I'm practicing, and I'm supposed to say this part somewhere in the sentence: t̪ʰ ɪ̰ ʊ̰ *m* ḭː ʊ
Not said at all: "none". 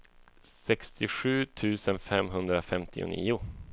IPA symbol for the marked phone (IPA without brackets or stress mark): n